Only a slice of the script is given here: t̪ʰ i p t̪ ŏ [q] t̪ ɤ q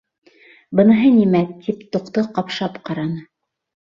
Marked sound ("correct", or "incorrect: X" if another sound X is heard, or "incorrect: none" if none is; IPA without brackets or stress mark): correct